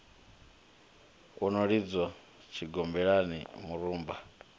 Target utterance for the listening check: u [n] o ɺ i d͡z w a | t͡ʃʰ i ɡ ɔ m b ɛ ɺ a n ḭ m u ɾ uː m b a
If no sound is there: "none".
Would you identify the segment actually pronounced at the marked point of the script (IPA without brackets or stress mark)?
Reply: n